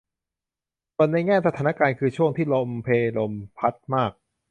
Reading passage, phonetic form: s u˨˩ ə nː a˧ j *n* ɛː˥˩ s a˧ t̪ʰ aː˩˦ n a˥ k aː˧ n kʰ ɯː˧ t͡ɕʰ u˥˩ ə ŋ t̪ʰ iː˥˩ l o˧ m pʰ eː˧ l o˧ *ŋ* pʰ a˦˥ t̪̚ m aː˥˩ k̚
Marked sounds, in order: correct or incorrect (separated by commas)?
incorrect, incorrect